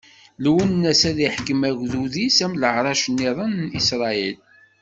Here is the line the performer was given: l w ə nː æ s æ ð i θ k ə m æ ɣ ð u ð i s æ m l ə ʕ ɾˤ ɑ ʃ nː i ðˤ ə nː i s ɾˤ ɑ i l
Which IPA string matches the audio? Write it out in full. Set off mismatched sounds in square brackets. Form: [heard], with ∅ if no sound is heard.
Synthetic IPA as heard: l w ə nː æ s æ ð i [ħ] k ə m æ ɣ ð u ð i s æ m l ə ʕ ɾˤ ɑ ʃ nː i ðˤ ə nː i s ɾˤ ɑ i l